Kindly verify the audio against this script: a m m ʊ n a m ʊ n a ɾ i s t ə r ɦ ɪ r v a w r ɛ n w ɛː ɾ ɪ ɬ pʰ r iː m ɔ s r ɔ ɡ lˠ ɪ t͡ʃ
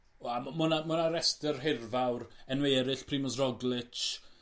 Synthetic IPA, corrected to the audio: a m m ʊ n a m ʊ n a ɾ ɛ s t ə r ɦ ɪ r v a w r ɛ n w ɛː ɾ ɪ ɬ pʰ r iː m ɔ s r ɔ ɡ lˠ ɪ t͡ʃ